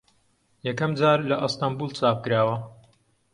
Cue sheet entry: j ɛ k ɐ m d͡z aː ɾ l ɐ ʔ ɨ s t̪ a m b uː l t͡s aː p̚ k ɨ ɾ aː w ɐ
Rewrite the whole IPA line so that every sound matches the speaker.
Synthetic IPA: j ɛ k ɐ m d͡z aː ɾ l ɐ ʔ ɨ s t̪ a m b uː l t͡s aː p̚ k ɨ ɾ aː w ɐ